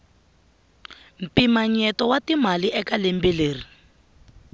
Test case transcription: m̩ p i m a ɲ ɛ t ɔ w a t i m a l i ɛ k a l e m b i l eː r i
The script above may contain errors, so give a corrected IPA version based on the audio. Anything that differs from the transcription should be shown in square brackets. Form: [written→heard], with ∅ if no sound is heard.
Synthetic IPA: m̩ p i m a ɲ ɛ t ɔ w a t i m a l i ɛ k a l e m b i l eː r i